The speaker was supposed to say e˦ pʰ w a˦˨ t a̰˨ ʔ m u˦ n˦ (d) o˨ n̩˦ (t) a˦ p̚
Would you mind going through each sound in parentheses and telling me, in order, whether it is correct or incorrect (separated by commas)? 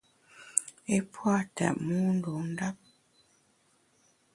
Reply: correct, incorrect